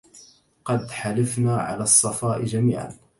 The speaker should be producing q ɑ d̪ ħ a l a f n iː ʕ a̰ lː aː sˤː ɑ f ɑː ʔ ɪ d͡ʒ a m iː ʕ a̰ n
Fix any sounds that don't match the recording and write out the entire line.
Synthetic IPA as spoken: q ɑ d̪ ħ a l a f n aː ʕ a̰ l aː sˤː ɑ f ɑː ʔ ɪ d͡ʒ a m iː ʕ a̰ n